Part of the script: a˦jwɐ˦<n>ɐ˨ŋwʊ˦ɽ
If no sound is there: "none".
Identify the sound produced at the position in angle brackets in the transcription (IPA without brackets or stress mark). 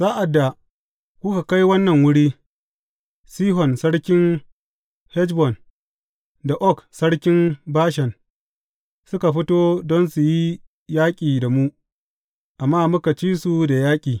nː